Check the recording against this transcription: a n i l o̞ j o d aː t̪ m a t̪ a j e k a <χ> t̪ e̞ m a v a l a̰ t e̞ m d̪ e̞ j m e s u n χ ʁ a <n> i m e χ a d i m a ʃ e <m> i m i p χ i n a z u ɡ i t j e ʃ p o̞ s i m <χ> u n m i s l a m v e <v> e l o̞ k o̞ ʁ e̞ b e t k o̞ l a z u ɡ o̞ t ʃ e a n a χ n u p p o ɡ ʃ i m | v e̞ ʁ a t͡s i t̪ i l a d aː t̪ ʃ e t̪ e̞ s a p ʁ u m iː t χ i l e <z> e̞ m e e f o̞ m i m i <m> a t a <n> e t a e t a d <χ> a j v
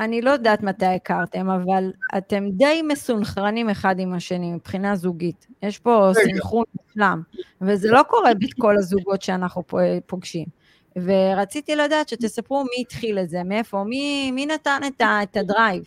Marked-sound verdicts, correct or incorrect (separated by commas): incorrect, correct, incorrect, correct, incorrect, correct, incorrect, correct, incorrect